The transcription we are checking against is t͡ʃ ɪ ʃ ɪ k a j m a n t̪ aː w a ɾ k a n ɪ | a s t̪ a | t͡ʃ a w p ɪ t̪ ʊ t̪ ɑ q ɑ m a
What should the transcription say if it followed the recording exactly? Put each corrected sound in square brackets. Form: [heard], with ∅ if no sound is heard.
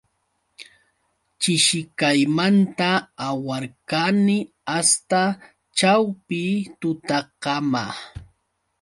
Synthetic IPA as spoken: t͡ʃ ɪ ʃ ɪ k a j m a n t̪ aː w a ɾ k a n ɪ | a s t̪ a | t͡ʃ a w p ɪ t̪ ʊ t̪ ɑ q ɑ m a